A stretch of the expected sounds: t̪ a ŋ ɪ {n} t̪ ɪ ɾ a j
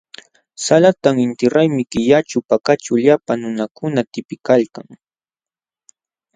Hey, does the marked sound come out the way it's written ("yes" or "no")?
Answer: yes